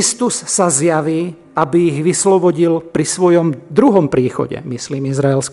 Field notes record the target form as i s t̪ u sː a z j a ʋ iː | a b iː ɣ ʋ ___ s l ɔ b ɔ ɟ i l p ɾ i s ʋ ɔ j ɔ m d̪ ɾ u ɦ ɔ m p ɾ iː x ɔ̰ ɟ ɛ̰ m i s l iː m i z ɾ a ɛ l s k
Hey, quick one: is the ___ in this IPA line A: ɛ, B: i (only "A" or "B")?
B